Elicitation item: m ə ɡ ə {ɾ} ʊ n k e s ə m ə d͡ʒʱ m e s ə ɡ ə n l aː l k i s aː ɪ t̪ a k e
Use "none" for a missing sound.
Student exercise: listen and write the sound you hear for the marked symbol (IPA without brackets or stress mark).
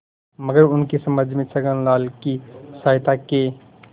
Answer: ɾ